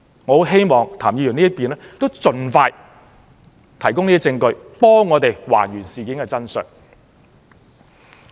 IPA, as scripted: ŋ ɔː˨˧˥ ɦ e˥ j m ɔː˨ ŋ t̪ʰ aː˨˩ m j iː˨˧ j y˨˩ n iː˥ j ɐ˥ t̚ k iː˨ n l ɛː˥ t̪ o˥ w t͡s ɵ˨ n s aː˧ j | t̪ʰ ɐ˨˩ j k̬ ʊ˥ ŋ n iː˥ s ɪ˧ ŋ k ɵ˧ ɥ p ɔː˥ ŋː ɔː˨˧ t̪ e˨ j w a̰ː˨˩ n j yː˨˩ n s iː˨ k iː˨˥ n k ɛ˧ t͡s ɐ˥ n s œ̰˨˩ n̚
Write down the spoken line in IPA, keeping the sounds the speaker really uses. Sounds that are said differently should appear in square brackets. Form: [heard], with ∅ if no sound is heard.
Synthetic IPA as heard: ŋ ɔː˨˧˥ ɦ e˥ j m ɔː˨ ŋ t̪ʰ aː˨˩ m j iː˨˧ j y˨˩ n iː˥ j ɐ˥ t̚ [p] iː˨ n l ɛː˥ t̪ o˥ w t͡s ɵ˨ n [f] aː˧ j | t̪ʰ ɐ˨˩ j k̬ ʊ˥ ŋ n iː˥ [t͡s] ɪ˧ ŋ k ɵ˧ ɥ p ɔː˥ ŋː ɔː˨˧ t̪ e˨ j w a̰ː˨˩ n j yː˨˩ n s iː˨ k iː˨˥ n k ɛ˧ t͡s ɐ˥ n s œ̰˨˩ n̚